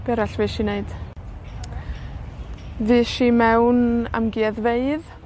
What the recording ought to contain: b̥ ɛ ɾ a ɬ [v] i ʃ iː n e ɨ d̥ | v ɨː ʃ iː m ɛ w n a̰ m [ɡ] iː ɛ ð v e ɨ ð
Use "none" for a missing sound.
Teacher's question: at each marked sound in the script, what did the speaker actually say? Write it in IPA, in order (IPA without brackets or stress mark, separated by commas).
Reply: v, ɡ